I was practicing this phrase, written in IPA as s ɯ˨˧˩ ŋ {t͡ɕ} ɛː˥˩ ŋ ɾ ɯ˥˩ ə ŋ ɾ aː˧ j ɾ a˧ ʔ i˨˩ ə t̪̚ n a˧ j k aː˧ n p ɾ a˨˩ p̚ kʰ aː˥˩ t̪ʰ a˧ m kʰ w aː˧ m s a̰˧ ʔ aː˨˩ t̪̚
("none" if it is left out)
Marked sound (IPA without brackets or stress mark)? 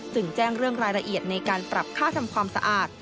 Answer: t͡ɕ